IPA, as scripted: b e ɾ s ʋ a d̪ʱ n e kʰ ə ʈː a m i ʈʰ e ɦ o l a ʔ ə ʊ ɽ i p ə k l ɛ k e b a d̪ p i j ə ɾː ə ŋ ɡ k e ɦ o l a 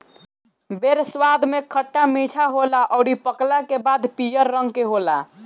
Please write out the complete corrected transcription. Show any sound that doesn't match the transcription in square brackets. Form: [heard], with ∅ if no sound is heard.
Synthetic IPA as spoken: b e ɾ s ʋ a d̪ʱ [m] e kʰ ə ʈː a m i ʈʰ [a] ɦ o l a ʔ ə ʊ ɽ i p ə k l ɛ k e b a d̪ p i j ə ɾː ə ŋ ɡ k e ɦ o l a